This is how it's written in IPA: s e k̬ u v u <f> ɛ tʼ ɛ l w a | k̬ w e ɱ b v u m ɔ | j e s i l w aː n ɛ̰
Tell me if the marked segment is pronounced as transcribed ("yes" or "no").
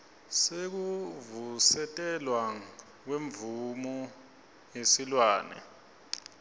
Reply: no